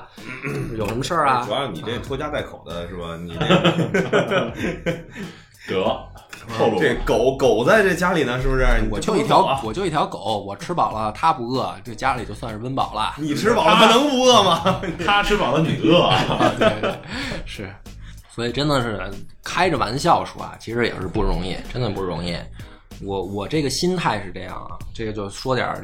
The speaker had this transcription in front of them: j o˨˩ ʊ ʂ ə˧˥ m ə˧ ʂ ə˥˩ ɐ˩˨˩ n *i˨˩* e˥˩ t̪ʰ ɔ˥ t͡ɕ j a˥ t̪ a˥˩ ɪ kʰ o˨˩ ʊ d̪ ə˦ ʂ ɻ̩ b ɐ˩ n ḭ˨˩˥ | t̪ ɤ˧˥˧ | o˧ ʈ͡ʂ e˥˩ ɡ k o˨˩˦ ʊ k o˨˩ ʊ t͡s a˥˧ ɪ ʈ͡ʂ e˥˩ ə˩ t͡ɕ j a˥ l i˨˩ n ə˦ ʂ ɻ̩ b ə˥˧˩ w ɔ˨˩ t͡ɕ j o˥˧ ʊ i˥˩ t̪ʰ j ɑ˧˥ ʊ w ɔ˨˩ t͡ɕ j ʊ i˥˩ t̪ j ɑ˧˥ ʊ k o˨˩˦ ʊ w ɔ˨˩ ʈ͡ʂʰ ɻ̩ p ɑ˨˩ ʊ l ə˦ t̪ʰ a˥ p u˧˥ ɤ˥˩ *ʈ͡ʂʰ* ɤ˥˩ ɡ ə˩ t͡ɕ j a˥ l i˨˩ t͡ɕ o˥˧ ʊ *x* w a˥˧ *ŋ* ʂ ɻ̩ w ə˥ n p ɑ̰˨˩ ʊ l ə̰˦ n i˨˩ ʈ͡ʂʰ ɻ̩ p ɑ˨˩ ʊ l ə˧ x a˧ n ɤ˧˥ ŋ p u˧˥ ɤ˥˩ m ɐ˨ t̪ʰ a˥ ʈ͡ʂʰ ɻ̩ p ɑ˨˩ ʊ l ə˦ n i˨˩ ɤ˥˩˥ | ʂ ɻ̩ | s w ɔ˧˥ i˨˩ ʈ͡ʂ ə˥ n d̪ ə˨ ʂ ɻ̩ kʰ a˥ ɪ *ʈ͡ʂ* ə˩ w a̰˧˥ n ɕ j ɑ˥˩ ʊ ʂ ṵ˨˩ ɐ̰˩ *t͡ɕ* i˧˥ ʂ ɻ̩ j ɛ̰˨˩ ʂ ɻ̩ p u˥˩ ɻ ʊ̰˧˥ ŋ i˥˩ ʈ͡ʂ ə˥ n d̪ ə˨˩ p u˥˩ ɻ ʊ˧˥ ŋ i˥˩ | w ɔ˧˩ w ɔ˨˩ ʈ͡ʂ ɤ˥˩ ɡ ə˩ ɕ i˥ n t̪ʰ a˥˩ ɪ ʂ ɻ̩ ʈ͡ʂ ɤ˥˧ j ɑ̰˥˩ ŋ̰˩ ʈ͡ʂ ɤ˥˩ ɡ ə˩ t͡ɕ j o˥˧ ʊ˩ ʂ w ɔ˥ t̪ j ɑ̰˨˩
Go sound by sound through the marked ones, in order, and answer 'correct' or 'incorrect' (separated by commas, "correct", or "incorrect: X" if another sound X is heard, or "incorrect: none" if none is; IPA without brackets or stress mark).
correct, incorrect: ʈ͡ʂ, incorrect: s, incorrect: n, correct, incorrect: t͡ɕʰ